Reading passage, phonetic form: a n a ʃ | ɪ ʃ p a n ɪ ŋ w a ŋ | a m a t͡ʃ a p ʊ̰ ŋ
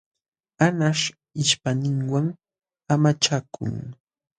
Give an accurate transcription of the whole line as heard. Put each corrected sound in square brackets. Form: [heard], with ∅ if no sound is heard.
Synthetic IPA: a n a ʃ | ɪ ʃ p a n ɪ ŋ w a ŋ | a m a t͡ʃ a [k] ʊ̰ ŋ